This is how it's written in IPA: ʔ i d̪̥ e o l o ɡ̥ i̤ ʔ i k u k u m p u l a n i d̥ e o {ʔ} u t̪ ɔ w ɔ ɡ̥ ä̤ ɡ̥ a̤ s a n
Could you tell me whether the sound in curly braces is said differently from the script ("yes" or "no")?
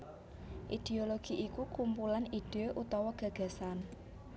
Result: no